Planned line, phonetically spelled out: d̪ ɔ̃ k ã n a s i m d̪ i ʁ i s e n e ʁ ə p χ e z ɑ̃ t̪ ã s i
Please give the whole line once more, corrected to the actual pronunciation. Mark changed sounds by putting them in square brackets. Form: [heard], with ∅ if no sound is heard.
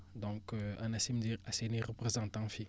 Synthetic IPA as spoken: d̪ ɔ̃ k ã n a s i m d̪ i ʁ [a] s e n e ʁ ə p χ e z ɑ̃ t̪ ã [f] i